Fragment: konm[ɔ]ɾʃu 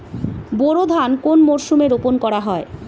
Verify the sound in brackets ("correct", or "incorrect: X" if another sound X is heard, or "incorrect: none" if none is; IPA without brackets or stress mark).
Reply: incorrect: o